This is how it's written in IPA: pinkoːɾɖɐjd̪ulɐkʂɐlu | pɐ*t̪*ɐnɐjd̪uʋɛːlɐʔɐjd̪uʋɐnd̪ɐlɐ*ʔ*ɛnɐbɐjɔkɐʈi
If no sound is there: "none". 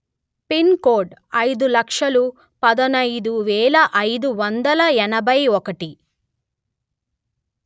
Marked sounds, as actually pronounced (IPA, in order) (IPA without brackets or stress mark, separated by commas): d̪, none